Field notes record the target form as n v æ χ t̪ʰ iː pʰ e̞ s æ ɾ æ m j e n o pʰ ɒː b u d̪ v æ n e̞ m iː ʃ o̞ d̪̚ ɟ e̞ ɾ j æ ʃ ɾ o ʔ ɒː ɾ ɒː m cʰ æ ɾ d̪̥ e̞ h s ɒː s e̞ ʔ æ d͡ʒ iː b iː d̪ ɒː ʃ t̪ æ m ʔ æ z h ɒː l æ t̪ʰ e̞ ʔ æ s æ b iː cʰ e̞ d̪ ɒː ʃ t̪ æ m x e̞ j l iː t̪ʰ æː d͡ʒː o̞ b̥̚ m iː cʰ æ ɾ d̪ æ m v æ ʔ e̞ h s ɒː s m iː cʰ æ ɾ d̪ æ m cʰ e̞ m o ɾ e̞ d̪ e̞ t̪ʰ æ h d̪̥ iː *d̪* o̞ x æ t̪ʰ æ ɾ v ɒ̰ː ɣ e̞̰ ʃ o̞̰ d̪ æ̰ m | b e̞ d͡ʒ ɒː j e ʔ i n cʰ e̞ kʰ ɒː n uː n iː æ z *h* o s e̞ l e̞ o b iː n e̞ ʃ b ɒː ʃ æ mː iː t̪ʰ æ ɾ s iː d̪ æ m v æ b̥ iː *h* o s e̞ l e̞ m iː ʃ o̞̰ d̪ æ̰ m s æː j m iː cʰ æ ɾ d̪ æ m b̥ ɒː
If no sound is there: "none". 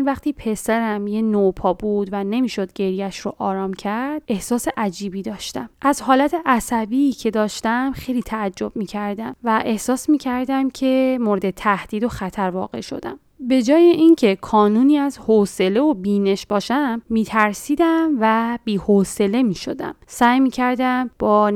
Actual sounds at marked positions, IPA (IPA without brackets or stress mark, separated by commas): d̪, h, h